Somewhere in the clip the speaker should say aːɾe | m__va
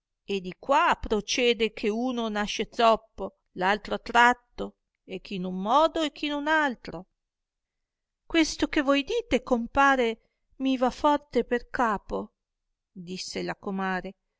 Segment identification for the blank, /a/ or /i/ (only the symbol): i